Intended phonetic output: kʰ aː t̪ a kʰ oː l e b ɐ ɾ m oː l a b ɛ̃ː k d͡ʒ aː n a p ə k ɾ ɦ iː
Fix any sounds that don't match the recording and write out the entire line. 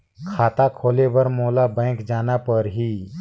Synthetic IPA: kʰ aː t̪ a kʰ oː l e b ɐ ɾ m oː l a b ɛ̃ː k d͡ʒ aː n a p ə ɾ ɦ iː